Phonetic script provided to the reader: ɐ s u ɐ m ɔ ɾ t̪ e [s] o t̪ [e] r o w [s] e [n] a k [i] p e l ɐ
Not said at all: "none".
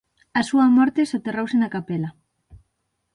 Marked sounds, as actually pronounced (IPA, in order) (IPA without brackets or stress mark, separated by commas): s, e, s, n, a